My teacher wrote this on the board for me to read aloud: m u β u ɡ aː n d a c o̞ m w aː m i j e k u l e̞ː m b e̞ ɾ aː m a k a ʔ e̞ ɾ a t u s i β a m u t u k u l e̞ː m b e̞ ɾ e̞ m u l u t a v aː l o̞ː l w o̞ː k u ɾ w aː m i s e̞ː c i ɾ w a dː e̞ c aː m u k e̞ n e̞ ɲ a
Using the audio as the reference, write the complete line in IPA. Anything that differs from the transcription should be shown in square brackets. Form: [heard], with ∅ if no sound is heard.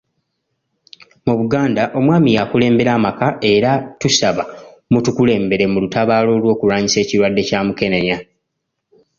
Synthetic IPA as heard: m u β u ɡ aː n d a [ʔ] o̞ m w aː m i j [a] k u l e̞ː m b e̞ ɾ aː m a k a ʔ e̞ ɾ a t u s [a] β a m u t u k u l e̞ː m b e̞ ɾ e̞ m u l u t a [β] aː l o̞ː l w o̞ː k u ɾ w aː [ɲ] i s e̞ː c i ɾ w a dː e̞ c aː m u k e̞ n e̞ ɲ a